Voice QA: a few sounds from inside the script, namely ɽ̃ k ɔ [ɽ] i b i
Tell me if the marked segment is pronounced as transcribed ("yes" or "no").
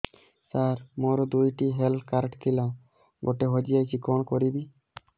no